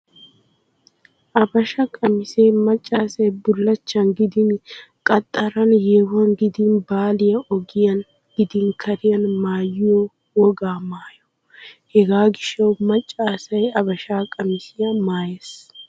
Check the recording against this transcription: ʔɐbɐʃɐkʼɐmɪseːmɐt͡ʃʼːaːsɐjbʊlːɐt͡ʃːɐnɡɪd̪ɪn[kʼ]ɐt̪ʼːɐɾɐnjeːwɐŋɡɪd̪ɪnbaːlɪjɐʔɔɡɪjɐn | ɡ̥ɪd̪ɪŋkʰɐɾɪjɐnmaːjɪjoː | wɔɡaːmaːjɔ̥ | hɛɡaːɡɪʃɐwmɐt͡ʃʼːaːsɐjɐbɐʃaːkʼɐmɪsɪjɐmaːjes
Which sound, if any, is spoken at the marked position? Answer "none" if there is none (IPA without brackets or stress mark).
kʼ